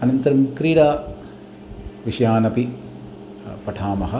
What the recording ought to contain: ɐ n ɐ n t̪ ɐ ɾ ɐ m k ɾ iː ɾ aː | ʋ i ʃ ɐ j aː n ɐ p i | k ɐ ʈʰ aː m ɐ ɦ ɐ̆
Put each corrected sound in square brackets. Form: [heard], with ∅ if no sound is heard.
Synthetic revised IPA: ɐ n ɐ n t̪ ɐ ɾ ɐ m k ɾ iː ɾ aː | ʋ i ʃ ɐ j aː n ɐ p i | [p] ɐ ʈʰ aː m ɐ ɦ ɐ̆